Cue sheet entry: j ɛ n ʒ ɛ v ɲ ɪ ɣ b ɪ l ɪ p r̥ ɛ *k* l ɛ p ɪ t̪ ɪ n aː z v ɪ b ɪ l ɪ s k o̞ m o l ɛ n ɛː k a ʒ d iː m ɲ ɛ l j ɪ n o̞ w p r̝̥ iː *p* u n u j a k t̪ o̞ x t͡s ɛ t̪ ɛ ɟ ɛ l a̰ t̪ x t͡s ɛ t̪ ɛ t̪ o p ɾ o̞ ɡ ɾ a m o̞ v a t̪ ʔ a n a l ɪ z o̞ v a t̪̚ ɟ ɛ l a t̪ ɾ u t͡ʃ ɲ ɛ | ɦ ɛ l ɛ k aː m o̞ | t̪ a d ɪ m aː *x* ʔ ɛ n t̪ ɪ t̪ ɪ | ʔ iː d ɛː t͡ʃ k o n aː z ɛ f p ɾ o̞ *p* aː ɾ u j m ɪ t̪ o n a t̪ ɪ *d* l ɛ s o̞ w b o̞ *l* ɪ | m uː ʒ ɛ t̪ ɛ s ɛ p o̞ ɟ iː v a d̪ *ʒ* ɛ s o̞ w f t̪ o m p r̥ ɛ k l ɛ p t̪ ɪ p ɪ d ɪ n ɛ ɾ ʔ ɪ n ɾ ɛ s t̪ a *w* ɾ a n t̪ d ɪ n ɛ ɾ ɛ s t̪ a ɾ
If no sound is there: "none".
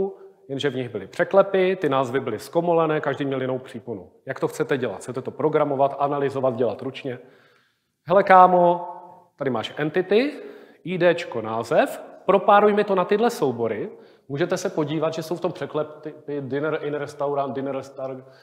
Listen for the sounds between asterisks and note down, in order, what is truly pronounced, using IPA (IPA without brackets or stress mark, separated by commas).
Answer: k, p, ʃ, p, d, ɾ, ʒ, w